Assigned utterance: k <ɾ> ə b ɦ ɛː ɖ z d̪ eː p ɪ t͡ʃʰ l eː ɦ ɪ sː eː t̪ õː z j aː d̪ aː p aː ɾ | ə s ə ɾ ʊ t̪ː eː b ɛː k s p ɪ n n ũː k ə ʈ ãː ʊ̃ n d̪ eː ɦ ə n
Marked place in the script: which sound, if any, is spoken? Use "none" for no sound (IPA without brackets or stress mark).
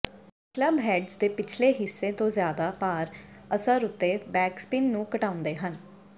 l